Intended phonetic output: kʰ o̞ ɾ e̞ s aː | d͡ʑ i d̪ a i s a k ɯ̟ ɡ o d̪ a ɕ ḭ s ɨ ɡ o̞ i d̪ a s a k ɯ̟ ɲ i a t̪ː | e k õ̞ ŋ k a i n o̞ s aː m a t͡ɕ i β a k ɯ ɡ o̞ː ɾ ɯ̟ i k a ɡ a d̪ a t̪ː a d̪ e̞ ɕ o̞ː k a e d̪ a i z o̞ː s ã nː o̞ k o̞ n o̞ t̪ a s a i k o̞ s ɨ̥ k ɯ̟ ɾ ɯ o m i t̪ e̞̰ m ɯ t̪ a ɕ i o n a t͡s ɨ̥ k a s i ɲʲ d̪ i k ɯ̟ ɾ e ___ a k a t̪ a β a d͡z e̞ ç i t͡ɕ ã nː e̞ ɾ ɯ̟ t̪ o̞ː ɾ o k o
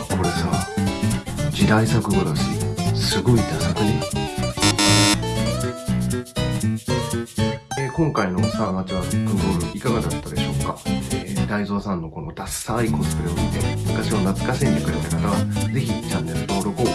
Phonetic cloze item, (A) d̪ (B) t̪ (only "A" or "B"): B